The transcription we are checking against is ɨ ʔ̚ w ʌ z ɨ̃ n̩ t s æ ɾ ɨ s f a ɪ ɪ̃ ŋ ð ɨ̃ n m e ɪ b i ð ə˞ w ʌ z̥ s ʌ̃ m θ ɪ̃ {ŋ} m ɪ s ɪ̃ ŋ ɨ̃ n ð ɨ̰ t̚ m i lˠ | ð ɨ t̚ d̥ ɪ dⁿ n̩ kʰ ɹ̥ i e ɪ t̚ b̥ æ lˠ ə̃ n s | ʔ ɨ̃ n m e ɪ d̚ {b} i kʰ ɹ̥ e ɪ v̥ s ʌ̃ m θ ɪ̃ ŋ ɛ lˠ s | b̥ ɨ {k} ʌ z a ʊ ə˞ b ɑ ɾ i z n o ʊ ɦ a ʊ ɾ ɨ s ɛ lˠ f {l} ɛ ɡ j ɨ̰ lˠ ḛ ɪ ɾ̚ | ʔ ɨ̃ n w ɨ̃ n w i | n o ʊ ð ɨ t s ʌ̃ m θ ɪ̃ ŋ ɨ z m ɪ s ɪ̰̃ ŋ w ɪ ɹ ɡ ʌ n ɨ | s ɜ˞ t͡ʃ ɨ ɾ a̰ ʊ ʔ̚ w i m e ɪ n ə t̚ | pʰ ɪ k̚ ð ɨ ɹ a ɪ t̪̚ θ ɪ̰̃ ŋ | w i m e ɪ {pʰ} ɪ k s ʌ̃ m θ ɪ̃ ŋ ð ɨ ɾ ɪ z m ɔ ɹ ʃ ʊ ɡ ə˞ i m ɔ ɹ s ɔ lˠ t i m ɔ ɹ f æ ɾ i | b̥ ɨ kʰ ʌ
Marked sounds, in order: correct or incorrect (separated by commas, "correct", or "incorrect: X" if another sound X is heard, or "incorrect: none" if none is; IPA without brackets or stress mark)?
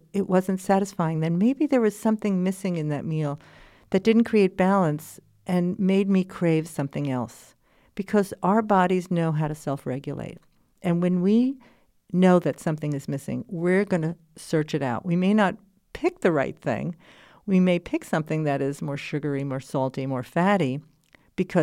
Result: correct, incorrect: m, incorrect: kʰ, incorrect: ɹ, correct